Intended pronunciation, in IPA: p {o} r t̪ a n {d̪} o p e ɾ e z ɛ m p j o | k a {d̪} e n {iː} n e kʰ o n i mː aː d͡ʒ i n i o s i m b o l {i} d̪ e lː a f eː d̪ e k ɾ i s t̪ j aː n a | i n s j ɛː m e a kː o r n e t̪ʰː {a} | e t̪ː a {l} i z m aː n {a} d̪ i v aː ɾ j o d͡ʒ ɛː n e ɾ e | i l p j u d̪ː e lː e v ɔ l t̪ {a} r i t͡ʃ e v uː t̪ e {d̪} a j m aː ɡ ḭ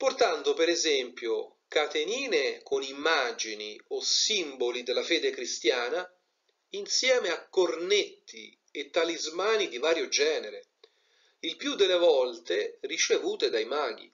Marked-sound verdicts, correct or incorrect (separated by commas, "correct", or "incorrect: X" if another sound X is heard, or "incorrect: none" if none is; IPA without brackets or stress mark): correct, correct, incorrect: t̪, correct, correct, incorrect: i, correct, incorrect: i, incorrect: e, correct